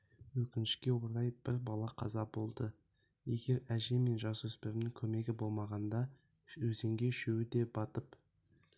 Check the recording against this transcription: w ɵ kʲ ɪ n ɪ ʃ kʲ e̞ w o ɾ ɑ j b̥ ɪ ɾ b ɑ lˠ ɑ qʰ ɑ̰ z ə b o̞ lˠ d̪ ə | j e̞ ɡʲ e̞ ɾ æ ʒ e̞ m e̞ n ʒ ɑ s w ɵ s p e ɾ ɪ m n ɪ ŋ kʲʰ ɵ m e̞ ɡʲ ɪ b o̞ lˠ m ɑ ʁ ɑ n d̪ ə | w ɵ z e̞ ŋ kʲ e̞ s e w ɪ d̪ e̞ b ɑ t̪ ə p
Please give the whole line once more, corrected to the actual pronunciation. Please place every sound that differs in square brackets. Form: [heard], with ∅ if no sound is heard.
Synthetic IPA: w ɵ kʲ ɪ n ɪ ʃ kʲ e̞ w o ɾ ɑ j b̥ ɪ ɾ b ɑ lˠ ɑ qʰ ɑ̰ z [ɑ] b o̞ lˠ d̪ ə | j e̞ ɡʲ e̞ ɾ æ ʒ e̞ m e̞ n ʒ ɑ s w ɵ s p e ɾ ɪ m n ɪ ŋ kʲʰ ɵ m e̞ ɡʲ ɪ b o̞ lˠ m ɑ ʁ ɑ n d̪ [ɑ] | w ɵ z e̞ ŋ [ɡʲ] e̞ [ʃ] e w ɪ d̪ e̞ b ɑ t̪ ə p